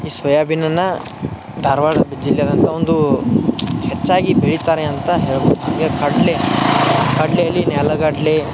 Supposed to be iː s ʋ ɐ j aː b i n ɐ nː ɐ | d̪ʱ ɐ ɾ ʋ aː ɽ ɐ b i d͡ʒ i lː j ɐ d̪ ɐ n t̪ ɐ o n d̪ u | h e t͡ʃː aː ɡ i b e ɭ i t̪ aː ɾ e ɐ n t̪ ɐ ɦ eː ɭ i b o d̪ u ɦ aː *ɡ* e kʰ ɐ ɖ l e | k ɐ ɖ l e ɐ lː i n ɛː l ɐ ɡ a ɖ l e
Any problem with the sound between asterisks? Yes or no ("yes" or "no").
no